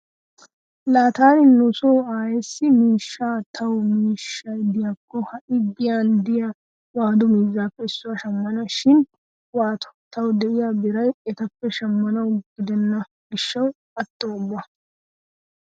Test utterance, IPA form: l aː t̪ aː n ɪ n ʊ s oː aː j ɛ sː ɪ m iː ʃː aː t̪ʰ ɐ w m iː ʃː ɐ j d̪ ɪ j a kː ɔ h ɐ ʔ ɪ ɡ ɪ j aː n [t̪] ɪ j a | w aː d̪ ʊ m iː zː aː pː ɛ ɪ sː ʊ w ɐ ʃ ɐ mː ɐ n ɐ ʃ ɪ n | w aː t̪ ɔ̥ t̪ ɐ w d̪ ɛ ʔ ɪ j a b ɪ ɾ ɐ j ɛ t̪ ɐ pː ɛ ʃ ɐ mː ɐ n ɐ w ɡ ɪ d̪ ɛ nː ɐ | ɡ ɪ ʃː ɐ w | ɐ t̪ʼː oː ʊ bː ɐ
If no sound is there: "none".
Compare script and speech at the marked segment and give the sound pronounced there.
d̪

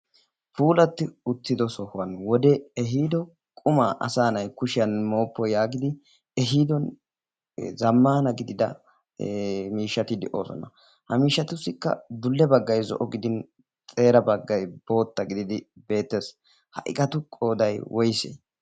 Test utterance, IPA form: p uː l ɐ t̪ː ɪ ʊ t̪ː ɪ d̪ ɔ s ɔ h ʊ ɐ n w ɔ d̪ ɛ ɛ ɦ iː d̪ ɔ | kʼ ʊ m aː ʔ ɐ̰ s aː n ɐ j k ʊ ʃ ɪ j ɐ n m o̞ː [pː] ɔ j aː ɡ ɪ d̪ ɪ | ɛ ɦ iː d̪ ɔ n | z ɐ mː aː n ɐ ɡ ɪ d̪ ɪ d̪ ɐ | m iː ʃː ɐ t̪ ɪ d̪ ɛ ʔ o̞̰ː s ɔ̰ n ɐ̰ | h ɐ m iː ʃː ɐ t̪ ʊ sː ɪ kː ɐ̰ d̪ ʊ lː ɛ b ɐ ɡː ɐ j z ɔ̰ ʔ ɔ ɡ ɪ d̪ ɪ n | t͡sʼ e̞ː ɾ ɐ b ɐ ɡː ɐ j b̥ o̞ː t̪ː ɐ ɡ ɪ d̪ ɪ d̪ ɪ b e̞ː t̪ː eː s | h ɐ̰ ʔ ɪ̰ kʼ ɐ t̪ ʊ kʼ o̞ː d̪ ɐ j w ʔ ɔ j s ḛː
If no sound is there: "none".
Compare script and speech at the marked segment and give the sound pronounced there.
pː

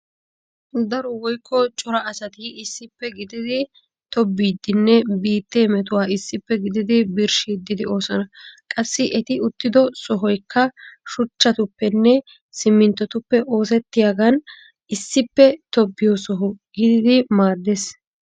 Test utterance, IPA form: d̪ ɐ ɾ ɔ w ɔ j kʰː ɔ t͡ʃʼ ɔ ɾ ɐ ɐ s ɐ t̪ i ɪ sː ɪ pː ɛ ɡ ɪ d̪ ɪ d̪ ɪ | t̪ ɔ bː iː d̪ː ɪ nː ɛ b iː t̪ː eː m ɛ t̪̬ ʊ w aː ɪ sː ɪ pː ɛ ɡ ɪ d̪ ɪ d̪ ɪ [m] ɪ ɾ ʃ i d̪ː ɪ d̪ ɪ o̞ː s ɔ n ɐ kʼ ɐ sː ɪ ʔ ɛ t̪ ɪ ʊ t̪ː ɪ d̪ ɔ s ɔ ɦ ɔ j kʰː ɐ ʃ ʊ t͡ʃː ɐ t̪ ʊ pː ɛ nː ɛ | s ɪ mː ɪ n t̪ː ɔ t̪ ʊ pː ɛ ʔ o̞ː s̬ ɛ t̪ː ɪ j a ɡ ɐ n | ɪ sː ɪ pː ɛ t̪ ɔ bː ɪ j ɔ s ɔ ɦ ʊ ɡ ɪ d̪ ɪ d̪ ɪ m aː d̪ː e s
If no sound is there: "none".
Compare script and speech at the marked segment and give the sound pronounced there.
b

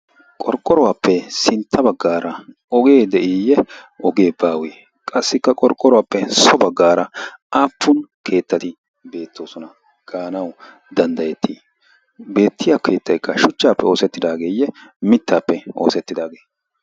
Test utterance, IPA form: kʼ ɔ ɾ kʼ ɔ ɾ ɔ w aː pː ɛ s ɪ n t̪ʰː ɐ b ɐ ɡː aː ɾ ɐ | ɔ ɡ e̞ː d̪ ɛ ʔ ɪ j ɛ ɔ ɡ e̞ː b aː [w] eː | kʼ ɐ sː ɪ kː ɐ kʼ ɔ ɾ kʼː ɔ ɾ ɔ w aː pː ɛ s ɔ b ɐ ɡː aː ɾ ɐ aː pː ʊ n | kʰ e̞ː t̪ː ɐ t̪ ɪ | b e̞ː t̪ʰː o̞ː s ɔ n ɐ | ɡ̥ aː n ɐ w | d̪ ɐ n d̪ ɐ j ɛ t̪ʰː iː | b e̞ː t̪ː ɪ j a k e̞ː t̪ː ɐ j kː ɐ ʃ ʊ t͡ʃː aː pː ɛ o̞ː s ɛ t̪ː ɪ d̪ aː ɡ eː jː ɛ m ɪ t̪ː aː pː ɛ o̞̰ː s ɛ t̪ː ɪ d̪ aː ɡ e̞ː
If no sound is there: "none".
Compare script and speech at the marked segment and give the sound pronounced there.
w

